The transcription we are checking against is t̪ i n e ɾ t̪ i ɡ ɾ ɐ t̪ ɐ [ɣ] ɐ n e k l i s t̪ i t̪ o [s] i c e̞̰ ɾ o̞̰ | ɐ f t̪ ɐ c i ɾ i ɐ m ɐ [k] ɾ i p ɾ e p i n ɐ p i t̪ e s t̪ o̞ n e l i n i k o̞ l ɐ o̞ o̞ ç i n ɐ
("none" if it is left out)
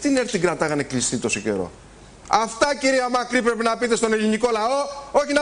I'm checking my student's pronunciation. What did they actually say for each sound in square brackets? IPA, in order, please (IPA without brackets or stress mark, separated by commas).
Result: ɣ, s, k